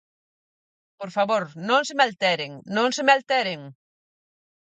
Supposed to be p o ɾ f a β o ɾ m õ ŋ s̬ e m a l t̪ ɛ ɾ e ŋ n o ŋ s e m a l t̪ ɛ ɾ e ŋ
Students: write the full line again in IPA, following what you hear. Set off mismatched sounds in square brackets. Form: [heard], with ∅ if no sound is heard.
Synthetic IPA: p o ɾ f a β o ɾ [n] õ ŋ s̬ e m a l t̪ ɛ ɾ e ŋ n [õ] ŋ s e m a l t̪ ɛ ɾ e ŋ